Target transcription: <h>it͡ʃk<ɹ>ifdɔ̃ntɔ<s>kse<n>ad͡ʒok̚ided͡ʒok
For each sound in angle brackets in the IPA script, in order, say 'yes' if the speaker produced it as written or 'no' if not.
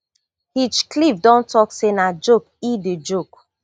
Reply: yes, no, no, yes

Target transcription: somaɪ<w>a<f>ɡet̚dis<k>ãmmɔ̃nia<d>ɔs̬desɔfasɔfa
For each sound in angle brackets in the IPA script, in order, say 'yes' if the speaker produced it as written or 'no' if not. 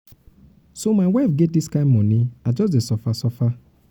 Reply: yes, yes, yes, no

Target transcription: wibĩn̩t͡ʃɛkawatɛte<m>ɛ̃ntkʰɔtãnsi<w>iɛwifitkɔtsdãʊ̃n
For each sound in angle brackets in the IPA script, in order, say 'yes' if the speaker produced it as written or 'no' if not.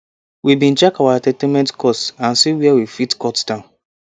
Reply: yes, yes

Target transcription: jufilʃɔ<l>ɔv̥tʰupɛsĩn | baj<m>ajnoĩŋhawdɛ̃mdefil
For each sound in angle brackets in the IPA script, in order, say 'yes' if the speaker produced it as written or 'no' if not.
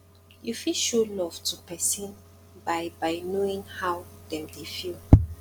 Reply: yes, no

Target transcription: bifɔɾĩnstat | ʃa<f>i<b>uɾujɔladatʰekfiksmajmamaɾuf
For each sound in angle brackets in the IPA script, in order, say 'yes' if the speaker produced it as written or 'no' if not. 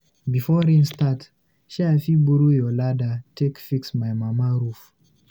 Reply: yes, yes

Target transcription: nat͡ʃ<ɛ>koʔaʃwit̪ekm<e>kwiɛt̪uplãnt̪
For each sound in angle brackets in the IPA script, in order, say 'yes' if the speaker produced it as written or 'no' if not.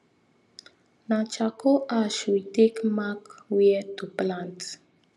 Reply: no, no

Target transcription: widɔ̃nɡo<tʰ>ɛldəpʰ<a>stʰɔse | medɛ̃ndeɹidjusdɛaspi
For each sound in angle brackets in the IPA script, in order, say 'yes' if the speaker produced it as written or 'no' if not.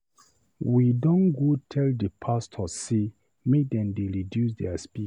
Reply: yes, yes

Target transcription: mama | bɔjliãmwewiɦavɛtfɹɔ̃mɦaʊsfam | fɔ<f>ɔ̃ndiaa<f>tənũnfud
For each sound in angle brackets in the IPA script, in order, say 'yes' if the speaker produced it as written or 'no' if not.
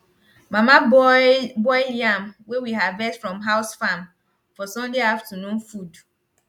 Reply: no, yes

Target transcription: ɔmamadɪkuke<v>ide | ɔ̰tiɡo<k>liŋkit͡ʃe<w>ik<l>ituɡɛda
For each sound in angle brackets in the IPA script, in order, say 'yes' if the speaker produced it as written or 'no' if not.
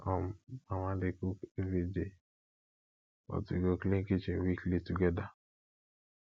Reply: yes, yes, yes, yes

